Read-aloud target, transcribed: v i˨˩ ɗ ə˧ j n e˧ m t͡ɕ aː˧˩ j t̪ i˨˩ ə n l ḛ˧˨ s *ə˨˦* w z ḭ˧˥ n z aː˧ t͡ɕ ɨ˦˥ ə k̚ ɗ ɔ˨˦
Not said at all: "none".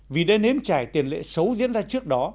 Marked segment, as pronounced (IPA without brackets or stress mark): ə˨˦